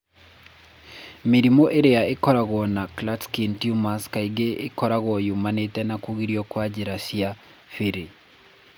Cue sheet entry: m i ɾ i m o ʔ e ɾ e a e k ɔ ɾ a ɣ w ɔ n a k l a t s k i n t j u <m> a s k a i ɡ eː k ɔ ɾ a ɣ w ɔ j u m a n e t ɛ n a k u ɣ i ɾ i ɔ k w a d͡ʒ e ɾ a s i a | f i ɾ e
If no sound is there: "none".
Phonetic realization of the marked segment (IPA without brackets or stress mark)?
m